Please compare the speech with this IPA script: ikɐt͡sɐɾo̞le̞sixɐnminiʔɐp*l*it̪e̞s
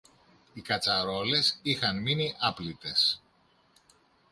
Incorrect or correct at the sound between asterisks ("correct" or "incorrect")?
correct